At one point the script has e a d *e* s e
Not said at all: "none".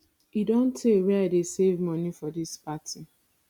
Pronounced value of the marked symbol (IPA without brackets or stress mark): e